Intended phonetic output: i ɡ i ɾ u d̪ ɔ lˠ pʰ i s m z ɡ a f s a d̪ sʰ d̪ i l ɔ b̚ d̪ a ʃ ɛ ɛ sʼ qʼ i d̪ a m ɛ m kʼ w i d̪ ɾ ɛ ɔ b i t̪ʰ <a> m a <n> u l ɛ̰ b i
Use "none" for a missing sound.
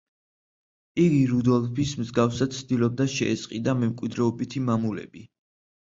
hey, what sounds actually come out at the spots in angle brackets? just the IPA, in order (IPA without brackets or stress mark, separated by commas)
i, m